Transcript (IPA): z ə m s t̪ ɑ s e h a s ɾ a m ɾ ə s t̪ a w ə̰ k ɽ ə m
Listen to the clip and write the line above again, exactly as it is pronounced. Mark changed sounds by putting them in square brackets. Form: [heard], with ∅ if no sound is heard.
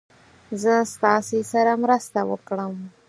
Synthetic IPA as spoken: z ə [∅] s t̪ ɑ s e [s] a [∅] ɾ a m ɾ ə s t̪ a w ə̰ k ɽ ə m